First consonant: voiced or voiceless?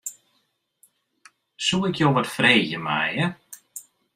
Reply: voiceless